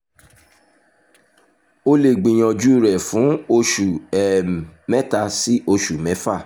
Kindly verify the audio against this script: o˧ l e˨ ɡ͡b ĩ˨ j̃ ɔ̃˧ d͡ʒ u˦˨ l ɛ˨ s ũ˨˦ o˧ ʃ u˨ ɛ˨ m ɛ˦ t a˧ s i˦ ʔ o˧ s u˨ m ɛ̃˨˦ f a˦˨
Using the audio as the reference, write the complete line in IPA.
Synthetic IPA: o˧ l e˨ ɡ͡b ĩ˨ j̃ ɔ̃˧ d͡ʒ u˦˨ ɾ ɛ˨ f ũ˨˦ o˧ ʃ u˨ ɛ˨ m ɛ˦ t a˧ s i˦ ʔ o˧ ʃ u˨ m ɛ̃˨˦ f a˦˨